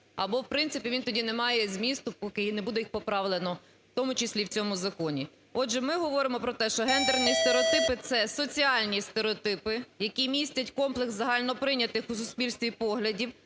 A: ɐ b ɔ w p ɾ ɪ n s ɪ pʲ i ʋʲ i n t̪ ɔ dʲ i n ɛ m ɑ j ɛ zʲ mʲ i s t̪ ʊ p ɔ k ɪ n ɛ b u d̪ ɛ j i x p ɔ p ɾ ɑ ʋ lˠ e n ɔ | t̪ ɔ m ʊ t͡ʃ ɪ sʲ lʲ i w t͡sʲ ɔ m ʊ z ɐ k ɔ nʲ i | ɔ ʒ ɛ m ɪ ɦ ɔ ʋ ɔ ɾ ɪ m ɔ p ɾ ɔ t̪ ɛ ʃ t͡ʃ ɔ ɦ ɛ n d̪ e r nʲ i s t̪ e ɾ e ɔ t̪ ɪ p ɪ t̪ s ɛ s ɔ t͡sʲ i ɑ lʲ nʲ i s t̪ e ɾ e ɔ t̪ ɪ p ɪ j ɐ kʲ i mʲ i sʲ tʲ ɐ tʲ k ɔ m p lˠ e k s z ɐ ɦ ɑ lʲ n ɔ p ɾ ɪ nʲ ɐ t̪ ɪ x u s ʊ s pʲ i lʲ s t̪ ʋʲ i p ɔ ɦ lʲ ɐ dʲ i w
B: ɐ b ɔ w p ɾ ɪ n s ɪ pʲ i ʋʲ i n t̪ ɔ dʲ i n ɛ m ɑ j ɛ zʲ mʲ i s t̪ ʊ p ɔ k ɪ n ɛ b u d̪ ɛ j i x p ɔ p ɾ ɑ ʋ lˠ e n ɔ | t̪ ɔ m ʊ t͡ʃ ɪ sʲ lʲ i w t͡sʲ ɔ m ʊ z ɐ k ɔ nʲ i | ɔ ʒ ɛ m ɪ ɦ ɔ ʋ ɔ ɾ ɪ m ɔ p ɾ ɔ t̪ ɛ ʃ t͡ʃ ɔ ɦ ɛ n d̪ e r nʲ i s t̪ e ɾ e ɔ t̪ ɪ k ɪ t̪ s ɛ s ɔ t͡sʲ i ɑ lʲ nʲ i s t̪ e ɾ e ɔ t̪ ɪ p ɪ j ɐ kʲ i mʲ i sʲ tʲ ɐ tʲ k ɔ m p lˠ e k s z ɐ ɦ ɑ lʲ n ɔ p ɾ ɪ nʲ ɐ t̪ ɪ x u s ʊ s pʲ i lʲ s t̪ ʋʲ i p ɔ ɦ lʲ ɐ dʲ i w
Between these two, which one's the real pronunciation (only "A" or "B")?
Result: A